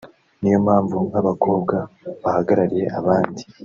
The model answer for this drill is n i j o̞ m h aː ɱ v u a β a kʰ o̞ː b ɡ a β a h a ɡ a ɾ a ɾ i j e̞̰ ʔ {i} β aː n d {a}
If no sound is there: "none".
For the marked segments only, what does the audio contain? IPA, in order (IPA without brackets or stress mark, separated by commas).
a, i